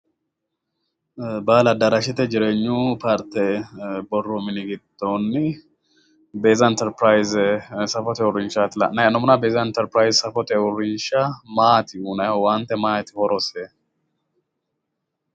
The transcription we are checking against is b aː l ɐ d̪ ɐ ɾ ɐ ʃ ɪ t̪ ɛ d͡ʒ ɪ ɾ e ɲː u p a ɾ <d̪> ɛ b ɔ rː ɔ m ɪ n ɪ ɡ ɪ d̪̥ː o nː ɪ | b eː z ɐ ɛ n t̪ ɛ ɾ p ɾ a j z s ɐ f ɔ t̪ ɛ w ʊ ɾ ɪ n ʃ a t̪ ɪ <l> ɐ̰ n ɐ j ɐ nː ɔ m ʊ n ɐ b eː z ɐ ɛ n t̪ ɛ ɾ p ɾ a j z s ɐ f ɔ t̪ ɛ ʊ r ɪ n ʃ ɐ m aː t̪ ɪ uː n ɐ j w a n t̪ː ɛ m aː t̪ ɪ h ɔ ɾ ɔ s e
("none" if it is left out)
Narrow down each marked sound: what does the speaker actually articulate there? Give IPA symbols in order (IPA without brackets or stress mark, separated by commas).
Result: t̪, l